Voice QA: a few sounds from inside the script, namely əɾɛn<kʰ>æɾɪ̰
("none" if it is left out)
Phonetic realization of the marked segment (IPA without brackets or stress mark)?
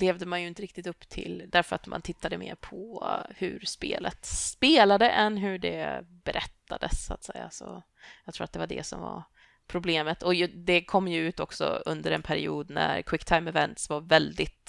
pʰ